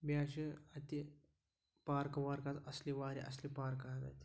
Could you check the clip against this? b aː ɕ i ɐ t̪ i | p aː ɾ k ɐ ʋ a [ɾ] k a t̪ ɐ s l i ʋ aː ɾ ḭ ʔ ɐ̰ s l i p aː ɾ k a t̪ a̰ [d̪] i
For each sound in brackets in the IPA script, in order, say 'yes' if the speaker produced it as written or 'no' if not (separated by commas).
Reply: yes, no